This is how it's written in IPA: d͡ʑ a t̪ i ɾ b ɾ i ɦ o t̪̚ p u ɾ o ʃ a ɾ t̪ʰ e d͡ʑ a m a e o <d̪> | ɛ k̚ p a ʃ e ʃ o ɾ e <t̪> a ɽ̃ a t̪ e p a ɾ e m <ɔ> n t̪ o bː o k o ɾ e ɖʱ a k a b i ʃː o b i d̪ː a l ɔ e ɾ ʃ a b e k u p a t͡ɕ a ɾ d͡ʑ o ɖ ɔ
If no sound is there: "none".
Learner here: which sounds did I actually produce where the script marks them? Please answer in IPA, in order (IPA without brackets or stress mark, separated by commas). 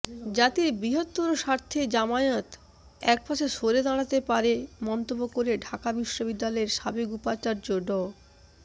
t̪, d̪, ɔ